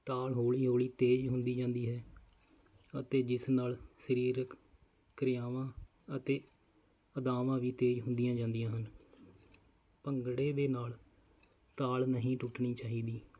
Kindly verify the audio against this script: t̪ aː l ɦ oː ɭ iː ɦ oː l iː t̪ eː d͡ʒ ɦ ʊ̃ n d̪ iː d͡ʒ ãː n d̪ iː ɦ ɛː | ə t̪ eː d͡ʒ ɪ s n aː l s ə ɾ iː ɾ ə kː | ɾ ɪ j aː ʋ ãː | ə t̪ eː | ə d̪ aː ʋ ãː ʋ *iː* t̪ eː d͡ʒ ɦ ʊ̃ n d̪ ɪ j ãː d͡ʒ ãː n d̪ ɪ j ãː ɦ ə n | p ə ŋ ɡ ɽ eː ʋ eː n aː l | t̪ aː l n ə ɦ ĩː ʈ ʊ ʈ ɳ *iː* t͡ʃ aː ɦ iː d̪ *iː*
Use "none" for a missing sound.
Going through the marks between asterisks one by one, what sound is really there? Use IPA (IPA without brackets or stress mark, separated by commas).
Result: iː, iː, iː